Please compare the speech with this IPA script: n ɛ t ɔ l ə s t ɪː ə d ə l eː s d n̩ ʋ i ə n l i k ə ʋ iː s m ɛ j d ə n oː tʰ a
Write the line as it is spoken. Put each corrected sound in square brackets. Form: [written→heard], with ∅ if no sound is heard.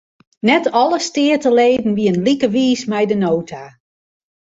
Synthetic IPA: n ɛ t ɔ l ə s t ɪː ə [d→t] ə l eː [s→∅] d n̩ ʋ i ə n l i k ə ʋ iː s m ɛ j d ə n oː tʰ a